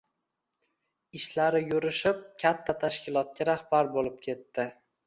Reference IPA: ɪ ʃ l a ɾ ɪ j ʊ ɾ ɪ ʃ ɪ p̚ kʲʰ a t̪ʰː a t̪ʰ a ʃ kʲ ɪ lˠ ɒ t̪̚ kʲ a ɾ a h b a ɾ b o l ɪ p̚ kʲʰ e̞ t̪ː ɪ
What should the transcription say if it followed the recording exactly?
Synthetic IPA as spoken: ɪ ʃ l a ɾ ɪ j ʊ ɾ ɪ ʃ ɪ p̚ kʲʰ a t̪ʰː a t̪ʰ a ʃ kʲ ɪ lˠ ɒ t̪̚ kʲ a ɾ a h b a ɾ b o l ɪ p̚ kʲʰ e̞ t̪ː ɪ